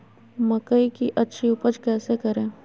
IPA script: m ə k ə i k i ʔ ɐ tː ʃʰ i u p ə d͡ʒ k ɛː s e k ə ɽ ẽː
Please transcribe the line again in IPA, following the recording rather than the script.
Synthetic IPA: m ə k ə i k i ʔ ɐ tː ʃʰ i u p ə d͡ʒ k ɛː s e k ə ɾ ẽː

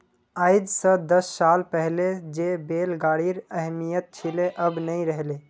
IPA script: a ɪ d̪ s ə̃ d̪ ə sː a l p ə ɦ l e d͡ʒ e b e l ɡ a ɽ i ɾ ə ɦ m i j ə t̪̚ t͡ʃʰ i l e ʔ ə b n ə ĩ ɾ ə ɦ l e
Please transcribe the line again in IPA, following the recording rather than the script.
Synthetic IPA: a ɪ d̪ s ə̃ d̪ ə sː a l p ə ɦ l e d͡ʒ e b e l ɡ a ɽ i ɾ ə ɦ m i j ə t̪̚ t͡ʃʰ i l e ʔ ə b n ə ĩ ɾ ə ɦ l e

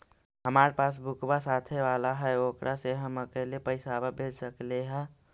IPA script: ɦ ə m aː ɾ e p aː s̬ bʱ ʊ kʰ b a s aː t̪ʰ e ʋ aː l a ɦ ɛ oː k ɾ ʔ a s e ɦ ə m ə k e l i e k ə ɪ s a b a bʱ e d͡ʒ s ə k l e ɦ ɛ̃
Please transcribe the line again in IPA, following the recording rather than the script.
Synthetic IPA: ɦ ə m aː ɾ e p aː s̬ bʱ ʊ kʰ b a s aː t̪ʰ e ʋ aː l a ɦ ɛ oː k ɾ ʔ a s e ɦ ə m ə k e l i e p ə ɪ s a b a bʱ e d͡ʒ s ə k l e ɦ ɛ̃

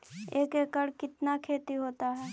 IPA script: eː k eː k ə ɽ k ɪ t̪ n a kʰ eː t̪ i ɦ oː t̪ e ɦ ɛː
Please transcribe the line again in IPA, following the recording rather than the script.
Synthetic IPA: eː k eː k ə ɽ k ɪ t̪ n a kʰ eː t̪ i ɦ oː t̪ a ɦ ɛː

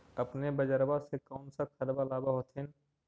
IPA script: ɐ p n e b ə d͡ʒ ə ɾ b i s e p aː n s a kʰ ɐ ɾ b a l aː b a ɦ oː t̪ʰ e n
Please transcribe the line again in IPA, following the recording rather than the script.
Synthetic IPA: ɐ p n e b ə d͡ʒ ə ɾ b a s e k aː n s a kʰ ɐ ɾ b a l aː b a ɦ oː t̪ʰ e n

